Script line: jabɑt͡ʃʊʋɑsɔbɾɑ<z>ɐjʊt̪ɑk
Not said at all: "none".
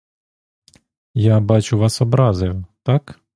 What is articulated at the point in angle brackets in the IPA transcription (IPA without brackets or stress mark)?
z